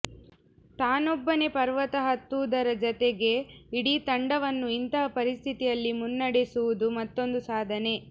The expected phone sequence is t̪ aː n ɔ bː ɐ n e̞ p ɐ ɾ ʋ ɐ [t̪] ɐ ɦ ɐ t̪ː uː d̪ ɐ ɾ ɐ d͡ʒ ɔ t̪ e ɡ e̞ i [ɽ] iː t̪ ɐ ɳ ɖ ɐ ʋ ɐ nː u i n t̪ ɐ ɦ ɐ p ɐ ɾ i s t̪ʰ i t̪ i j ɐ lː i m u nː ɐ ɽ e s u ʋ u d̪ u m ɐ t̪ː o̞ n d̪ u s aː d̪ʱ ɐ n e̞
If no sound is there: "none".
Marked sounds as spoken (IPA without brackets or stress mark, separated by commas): t̪, ɽ